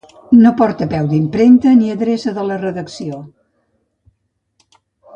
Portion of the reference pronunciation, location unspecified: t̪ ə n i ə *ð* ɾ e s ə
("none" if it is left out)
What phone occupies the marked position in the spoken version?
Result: ð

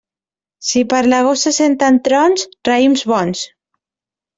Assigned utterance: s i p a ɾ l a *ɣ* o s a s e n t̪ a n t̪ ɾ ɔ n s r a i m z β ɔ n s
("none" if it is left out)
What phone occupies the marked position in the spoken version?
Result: ɣ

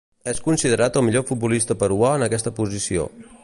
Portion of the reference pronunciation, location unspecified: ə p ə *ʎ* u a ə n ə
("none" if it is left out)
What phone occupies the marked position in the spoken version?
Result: ɾ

